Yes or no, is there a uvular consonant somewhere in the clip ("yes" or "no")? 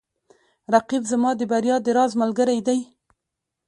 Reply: yes